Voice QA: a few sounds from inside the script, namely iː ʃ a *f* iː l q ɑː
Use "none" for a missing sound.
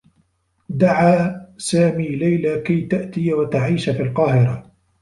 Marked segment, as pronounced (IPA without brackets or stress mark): f